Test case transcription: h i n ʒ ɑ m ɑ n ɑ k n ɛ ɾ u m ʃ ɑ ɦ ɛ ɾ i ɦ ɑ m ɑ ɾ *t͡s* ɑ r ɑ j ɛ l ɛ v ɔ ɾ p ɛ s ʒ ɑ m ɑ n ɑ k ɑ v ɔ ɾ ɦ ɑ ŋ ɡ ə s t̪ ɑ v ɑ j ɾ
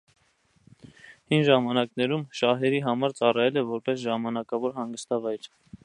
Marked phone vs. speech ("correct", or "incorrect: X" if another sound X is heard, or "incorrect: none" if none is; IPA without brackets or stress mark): correct